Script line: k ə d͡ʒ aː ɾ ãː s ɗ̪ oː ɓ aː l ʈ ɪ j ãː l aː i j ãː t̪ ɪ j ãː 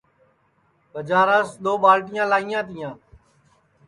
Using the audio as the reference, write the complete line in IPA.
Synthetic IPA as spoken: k ə d͡ʒ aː ɾ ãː s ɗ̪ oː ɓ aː l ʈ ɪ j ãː l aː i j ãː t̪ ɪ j ãː